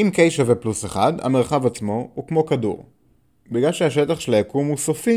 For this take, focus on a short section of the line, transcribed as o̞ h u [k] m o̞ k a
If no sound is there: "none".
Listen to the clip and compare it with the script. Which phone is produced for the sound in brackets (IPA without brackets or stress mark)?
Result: k